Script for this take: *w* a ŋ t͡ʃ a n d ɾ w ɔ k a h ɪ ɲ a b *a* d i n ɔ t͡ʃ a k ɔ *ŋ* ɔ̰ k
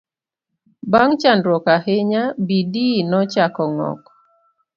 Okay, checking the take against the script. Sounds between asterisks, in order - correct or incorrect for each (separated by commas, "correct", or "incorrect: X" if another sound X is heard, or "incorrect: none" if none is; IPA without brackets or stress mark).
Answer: incorrect: b, incorrect: i, correct